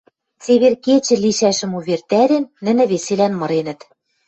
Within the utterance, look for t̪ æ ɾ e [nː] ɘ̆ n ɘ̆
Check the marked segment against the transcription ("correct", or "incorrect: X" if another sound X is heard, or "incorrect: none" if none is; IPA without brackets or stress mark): correct